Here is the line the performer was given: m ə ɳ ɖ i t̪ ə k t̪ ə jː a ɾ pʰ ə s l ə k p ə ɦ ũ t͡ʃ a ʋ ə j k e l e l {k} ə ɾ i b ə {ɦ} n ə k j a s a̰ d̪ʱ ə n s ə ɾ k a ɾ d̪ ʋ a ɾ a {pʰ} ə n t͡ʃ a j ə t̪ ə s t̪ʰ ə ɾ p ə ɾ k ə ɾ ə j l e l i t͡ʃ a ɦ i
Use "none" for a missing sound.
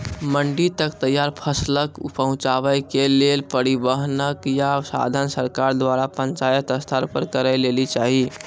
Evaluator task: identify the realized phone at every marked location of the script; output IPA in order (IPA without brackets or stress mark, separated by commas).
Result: p, ɦ, p